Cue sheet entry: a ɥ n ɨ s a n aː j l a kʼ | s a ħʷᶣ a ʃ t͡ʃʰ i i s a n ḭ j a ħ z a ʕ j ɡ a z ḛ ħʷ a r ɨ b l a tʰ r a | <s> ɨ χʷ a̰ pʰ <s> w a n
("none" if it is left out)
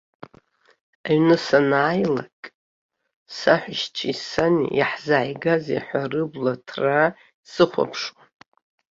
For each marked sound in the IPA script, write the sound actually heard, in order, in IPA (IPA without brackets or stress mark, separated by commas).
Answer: s, ʂ